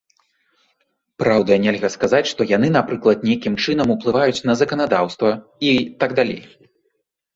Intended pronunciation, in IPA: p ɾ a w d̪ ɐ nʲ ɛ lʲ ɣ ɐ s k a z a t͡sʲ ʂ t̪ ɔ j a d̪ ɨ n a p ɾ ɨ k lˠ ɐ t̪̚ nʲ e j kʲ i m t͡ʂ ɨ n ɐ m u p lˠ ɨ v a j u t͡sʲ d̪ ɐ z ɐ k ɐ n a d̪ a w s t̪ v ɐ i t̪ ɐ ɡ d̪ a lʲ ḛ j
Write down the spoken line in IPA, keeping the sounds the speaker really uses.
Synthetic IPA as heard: p ɾ a w d̪ ɐ nʲ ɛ lʲ ɣ ɐ s k a z a t͡sʲ ʂ t̪ ɔ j a n̪ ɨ n a p ɾ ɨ k lˠ ɐ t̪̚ nʲ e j kʲ i m t͡ʂ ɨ n ɐ m u p lˠ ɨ v a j u t͡sʲ n̪ ɐ z ɐ k ɐ n a d̪ a w s t̪ v ɐ i t̪ a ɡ d̪ a lʲ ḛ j